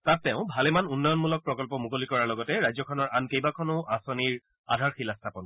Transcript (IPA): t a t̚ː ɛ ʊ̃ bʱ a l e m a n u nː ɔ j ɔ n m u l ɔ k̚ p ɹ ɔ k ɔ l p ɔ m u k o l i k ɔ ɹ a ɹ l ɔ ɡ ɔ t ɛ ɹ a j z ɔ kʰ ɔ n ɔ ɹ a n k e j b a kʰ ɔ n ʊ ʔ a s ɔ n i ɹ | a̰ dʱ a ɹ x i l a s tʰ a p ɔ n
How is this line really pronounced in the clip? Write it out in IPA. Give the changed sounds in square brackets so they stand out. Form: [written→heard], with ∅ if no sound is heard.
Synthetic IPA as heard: t a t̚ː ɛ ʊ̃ bʱ a l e m a n u nː ɔ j ɔ n m u l ɔ k̚ p ɹ ɔ k ɔ l p ɔ m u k o l i k ɔ ɹ a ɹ l ɔ ɡ ɔ t ɛ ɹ a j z ɔ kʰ ɔ n ɔ ɹ a n k e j b a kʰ ɔ n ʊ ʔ a s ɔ n i ɹ | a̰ dʱ a ɹ x i l a s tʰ a p ɔ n